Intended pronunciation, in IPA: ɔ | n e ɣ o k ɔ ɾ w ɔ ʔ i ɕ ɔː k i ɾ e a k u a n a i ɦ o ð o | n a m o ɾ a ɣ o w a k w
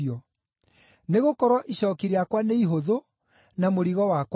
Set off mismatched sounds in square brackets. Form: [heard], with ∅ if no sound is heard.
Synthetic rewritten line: ɔ | n e ɣ o k ɔ ɾ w ɔ ʔ i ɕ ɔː k i ɾ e a k [w] a n [e] i ɦ o ð o | n a m o ɾ [i] ɣ [ɔ] w a k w